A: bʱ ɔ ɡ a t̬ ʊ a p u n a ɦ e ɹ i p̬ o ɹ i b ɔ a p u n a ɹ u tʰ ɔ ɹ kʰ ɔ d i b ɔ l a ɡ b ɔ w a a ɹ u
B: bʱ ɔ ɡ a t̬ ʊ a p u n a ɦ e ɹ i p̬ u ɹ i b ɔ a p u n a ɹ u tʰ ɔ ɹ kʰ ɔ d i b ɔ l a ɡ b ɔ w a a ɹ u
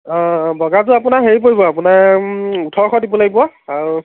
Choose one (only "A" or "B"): A